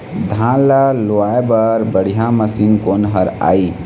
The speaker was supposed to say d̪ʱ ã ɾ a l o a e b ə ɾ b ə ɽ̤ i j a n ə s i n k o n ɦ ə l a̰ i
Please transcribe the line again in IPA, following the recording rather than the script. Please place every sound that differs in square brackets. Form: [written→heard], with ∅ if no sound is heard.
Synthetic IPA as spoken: d̪ʱ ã [ɾ→l] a l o a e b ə ɾ b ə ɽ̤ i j a [n→m] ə s i n k o n ɦ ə [l→ɾ] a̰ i

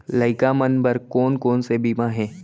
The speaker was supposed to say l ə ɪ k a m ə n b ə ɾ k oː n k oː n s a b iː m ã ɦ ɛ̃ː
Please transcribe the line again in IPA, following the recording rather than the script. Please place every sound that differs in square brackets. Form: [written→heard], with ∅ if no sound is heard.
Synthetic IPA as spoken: l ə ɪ k a m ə n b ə ɾ k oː n k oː n s [a→e] b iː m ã ɦ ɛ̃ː

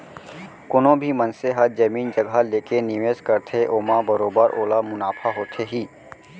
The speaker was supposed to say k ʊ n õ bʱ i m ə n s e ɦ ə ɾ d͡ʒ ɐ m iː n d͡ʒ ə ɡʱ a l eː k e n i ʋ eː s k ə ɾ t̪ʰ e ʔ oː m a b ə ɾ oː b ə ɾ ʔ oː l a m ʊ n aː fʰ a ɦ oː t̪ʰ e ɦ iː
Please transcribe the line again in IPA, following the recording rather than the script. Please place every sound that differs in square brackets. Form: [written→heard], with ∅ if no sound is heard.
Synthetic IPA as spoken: k ʊ n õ bʱ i m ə n s e ɦ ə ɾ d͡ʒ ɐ m iː n d͡ʒ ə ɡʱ a l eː k e n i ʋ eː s k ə ɾ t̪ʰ e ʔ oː m a b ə ɾ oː b ə ɾ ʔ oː l a m ʊ n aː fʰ a ɦ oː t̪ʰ e ɦ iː

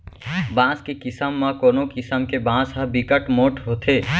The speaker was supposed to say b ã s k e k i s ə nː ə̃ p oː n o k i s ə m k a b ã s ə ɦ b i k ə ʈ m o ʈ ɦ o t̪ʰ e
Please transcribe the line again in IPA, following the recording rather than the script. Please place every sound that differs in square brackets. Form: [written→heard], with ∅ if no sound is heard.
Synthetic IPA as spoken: b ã s k e k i s ə [nː→mː] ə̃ [p→k] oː n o k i s ə m k [a→e] b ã s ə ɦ b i k ə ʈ m o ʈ ɦ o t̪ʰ e

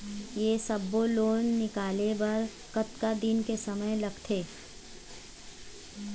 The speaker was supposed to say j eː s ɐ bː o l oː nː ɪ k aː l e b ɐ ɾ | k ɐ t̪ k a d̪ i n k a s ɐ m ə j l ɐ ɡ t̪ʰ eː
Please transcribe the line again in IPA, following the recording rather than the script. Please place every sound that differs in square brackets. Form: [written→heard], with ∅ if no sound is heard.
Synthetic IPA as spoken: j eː s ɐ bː o l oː nː ɪ k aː l e b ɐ ɾ | k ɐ t̪ k a d̪ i n k [a→e] s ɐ m ə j l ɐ ɡ t̪ʰ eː

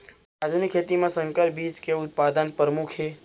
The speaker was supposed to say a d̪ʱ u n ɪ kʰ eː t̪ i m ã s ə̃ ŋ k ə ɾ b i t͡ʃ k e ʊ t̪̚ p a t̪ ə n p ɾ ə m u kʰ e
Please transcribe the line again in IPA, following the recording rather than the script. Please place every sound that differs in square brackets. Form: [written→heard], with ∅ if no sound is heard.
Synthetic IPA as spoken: a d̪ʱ u n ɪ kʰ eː t̪ i m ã s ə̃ ŋ k ə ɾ b i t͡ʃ k e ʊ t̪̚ p a [t̪→d̪] ə n p ɾ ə m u kʰ e

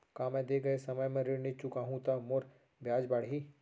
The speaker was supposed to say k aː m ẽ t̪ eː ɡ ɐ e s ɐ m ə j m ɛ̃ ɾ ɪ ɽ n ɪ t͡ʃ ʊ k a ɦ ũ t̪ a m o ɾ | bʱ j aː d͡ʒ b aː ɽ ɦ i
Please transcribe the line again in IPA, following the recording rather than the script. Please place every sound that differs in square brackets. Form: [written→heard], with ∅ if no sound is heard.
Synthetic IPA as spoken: k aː m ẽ [t̪→d̪] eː ɡ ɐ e s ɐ m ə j m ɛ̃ ɾ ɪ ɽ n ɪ t͡ʃ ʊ k a ɦ ũ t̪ a m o ɾ | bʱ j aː d͡ʒ b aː ɽ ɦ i

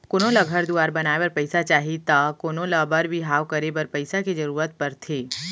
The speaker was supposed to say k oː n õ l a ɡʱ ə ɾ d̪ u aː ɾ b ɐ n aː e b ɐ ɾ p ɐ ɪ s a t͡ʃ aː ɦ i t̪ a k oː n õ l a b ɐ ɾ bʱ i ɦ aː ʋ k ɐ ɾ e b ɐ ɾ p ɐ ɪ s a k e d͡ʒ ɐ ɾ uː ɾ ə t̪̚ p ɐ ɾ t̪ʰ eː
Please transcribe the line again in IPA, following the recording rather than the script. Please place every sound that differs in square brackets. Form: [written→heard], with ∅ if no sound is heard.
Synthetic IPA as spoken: k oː n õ l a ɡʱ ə ɾ d̪ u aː ɾ b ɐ n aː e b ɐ ɾ p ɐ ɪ s a t͡ʃ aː ɦ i t̪ a k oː n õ l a b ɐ ɾ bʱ i ɦ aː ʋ k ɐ ɾ e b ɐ ɾ p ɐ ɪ s a k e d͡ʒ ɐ ɾ uː ɾ ə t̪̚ p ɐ ɾ t̪ʰ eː

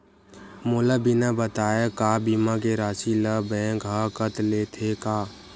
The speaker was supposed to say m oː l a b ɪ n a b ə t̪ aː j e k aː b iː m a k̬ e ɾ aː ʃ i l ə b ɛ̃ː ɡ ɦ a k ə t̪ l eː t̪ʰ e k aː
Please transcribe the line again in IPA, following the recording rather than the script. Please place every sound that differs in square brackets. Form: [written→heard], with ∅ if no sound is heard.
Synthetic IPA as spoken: m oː l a b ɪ n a b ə t̪ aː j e k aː b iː m a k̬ e ɾ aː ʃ i l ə b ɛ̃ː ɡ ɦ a k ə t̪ l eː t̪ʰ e k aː

